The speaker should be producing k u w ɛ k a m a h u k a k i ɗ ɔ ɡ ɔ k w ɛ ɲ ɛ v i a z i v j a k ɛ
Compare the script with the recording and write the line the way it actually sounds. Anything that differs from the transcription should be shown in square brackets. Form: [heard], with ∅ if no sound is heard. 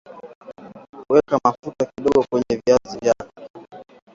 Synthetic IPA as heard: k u w ɛ k a m a [f] u [t] a k i ɗ ɔ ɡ ɔ k w ɛ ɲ ɛ v i a z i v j a k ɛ